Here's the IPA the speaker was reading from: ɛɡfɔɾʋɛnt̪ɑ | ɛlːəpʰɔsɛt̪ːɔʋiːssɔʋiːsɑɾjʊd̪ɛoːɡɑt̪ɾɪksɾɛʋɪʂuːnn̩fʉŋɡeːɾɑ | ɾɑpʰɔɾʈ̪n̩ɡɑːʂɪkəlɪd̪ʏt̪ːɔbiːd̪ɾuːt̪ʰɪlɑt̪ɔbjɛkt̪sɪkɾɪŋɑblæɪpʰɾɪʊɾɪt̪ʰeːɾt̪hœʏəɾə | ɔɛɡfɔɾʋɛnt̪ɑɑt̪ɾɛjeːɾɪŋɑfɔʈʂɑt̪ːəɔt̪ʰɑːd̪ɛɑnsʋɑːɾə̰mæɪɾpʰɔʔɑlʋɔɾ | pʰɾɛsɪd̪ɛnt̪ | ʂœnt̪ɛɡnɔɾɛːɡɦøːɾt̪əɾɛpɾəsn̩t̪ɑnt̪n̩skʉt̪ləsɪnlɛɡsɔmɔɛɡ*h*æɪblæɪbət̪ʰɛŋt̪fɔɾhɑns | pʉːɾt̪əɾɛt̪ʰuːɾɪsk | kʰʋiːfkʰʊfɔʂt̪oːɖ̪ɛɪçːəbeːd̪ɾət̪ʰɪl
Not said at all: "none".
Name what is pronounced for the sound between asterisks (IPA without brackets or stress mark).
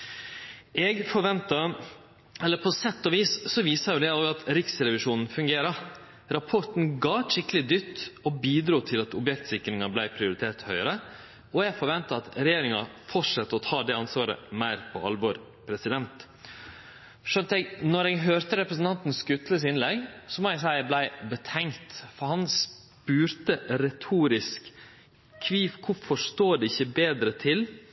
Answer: s